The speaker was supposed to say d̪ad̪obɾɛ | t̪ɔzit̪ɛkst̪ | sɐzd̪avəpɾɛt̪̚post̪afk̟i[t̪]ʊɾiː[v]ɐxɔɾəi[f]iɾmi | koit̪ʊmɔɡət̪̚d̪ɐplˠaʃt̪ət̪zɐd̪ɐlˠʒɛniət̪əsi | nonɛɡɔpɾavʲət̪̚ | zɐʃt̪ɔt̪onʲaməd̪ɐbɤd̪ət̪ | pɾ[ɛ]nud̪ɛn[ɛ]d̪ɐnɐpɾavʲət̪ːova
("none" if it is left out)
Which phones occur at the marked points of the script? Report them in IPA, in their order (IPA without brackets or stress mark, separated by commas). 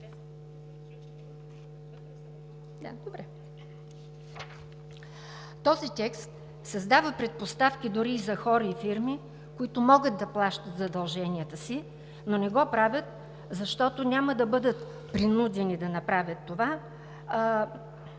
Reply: d̪, z, f, i, i